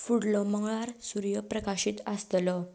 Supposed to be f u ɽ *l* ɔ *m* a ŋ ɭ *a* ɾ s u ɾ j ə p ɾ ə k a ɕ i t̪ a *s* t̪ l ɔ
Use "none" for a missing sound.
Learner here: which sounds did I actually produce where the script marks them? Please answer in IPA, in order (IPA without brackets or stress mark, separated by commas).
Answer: l, m, a, s